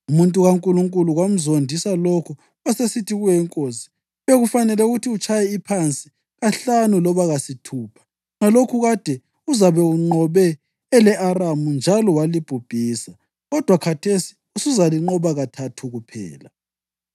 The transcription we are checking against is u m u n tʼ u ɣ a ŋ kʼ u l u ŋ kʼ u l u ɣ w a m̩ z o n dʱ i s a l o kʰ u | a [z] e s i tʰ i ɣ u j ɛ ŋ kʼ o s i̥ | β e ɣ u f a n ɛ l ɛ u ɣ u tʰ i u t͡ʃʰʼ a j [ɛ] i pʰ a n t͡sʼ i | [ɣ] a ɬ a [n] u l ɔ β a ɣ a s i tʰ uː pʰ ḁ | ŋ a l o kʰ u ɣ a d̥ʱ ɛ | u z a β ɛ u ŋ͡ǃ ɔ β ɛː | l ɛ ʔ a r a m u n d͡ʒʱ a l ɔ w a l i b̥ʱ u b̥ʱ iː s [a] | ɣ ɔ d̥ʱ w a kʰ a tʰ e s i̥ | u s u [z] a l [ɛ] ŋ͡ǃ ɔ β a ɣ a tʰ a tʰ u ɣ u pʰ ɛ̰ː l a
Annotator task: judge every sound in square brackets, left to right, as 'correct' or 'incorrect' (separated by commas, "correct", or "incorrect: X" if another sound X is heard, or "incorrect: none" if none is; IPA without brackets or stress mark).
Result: incorrect: s, correct, correct, correct, correct, correct, incorrect: i